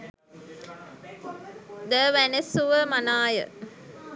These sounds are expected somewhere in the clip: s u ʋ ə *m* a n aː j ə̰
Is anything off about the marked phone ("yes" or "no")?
no